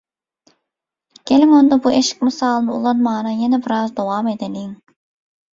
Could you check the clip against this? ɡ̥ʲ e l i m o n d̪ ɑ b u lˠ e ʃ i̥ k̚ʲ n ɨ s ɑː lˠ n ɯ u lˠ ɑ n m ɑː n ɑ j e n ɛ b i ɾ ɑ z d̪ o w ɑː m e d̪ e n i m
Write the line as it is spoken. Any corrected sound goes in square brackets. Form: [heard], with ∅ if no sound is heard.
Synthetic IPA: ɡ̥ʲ e l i m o n d̪ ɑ b u [∅] e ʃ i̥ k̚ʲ [m] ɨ s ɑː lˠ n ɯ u lˠ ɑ n m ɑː n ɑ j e n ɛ b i ɾ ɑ z d̪ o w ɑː m e d̪ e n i [ŋ]